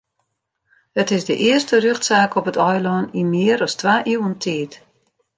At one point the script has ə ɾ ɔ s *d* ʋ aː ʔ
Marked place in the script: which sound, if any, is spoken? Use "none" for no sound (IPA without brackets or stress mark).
t